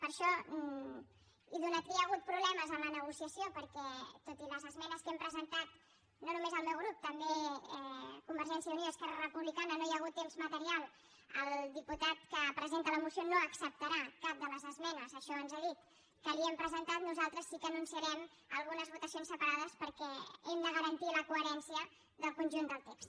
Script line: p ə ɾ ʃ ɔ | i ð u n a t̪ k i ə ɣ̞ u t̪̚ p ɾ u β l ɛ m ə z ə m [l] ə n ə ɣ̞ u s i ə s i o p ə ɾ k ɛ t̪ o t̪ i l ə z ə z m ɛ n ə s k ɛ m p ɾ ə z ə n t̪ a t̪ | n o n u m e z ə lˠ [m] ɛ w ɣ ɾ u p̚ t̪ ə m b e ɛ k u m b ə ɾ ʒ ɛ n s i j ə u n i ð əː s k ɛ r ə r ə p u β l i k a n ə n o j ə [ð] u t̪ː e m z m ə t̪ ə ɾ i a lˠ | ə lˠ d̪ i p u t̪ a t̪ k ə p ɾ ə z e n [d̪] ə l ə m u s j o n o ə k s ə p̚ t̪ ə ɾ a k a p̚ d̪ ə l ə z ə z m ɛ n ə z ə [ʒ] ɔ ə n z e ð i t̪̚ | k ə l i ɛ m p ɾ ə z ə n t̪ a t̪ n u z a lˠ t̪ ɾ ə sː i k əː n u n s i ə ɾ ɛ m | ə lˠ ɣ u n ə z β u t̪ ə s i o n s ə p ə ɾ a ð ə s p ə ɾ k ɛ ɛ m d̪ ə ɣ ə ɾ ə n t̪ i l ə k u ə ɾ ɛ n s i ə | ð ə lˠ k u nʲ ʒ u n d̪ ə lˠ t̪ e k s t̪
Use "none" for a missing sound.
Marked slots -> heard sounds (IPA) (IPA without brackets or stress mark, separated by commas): l, m, ɣ, t̪, ʃ